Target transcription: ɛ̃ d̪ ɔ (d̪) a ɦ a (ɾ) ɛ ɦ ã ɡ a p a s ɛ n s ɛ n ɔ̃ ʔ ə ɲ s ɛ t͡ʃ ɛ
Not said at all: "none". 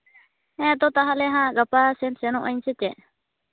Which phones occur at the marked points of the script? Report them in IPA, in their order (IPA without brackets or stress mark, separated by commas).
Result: t̪, l